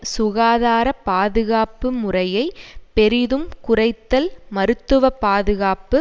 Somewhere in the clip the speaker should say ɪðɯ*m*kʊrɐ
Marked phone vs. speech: correct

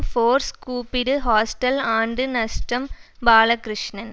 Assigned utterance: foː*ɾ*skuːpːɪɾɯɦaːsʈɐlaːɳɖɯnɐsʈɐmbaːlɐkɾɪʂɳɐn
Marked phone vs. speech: correct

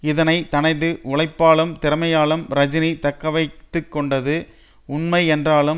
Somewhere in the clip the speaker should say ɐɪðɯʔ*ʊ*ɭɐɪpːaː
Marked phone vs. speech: correct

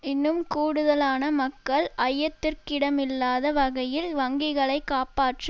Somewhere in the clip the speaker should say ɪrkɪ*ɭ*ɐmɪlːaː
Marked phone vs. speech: incorrect: ɽ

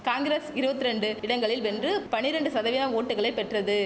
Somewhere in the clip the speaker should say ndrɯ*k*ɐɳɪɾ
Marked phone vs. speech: incorrect: p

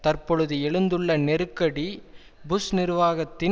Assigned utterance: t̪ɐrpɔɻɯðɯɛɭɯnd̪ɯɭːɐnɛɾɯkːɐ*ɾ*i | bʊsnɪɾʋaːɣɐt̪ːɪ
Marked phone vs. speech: incorrect: ɽ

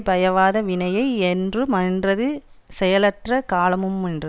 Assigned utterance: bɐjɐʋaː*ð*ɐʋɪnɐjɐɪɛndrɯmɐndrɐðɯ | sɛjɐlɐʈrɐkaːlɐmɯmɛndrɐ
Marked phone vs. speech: correct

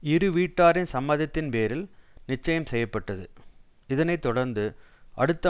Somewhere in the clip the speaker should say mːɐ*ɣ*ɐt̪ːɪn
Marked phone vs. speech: incorrect: ð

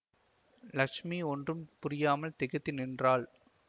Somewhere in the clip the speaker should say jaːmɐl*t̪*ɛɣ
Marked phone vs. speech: correct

